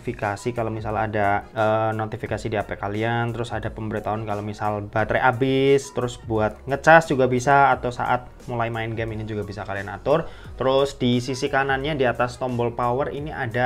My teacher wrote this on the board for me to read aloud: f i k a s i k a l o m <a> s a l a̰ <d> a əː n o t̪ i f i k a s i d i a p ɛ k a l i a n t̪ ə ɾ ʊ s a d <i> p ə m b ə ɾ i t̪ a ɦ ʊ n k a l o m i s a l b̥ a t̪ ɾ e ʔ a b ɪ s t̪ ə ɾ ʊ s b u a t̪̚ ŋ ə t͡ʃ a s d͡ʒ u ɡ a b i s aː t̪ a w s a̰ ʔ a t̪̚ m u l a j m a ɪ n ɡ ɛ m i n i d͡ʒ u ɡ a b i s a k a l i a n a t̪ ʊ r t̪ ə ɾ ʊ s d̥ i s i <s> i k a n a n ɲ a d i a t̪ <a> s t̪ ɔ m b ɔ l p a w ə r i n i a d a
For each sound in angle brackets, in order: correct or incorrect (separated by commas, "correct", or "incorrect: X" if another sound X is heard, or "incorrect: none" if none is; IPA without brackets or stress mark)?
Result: incorrect: i, correct, incorrect: a, correct, correct